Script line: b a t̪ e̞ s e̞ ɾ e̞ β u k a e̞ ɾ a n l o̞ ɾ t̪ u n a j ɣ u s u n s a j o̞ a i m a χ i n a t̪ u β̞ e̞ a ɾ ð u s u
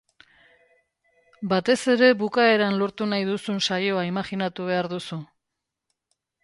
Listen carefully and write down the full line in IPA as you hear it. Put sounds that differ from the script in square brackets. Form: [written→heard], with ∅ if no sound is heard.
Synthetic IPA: b a t̪ e̞ s e̞ ɾ e̞ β u k a e̞ ɾ a n l o̞ ɾ t̪ u n a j [ɣ→ð] u s u n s a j o̞ a i m a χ i n a t̪ u β̞ e̞ a ɾ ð u s u